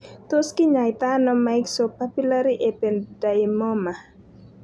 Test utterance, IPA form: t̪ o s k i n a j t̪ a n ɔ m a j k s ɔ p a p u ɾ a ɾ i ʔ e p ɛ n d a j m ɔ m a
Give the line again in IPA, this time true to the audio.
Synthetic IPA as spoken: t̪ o s k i ɲ a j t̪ a n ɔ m a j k s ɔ p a p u l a ɾ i ʔ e p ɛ n d a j m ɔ m a